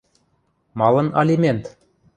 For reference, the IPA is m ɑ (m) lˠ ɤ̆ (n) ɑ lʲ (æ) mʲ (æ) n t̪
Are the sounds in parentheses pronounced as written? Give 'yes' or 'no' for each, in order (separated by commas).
no, yes, no, no